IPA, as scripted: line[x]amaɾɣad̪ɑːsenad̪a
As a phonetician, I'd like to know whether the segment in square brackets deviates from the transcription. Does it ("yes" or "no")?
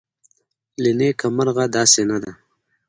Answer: yes